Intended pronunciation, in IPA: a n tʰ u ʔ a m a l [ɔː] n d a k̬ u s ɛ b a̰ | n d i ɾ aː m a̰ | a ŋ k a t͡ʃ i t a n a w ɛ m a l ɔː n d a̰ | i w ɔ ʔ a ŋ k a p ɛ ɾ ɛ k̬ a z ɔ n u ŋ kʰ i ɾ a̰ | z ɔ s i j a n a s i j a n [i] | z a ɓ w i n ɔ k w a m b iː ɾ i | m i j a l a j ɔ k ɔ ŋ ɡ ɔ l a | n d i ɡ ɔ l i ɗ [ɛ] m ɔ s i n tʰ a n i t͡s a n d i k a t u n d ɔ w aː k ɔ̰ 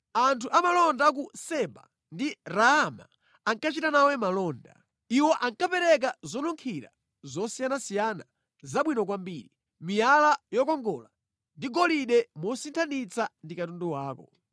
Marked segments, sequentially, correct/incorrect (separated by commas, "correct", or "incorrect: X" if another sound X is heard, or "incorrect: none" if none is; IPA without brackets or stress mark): incorrect: ɔ, incorrect: a, correct